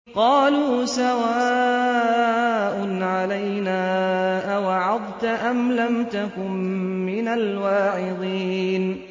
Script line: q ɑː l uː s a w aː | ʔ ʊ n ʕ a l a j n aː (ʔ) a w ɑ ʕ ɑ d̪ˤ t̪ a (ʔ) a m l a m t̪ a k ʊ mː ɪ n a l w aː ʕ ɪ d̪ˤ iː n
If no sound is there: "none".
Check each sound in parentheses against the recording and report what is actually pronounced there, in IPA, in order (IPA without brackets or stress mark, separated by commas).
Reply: ʔ, ʔ